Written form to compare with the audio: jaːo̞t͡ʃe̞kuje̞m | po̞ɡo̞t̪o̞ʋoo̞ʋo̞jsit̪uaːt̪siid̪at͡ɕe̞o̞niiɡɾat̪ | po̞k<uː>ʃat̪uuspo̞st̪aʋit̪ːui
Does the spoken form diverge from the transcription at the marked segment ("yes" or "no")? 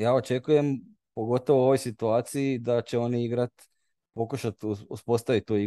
yes